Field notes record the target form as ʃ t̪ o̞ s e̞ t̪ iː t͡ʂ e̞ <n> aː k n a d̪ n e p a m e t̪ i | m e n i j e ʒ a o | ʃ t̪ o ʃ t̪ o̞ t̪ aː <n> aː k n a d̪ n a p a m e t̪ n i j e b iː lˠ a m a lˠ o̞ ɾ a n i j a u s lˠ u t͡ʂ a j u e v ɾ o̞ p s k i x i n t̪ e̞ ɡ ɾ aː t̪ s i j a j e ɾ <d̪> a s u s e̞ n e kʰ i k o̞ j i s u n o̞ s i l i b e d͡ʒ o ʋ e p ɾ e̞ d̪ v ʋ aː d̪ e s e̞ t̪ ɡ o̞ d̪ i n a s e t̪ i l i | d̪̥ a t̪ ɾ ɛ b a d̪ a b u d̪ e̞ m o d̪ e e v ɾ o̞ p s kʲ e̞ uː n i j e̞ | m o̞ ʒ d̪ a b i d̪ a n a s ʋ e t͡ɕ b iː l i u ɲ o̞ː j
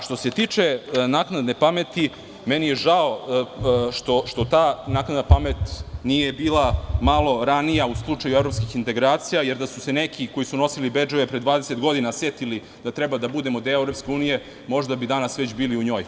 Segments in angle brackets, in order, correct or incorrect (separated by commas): correct, correct, correct